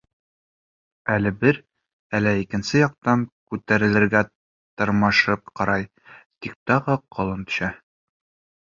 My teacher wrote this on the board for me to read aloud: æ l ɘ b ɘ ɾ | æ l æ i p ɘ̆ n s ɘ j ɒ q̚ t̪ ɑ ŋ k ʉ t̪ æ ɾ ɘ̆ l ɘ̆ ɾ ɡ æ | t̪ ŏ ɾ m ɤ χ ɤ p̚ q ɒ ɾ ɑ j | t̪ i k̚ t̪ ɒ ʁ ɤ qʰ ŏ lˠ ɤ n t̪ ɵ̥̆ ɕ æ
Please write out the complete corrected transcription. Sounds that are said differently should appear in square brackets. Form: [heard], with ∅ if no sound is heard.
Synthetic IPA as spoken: æ l ɘ b ɘ ɾ | æ l æ i [k] ɘ̆ n s ɘ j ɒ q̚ t̪ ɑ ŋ k ʉ t̪ æ ɾ ɘ̆ l ɘ̆ ɾ ɡ æ | t̪ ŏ ɾ m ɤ [ʃ] ɤ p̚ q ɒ ɾ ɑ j | t̪ i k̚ t̪ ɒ ʁ ɤ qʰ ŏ lˠ ɤ n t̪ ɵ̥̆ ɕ æ